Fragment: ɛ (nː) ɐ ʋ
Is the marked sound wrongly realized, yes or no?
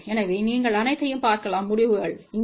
yes